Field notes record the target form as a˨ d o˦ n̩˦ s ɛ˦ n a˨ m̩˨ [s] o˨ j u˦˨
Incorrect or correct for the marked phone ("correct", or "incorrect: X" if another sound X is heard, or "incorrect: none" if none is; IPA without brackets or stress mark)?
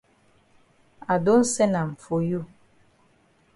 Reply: incorrect: f